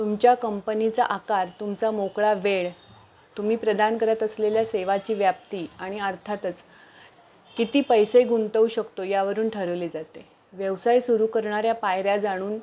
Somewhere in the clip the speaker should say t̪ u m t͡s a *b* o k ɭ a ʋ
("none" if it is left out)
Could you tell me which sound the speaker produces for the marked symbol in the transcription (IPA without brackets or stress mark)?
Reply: m